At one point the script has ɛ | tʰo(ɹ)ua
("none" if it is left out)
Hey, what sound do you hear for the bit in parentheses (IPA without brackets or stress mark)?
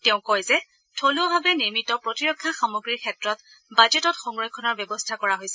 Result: l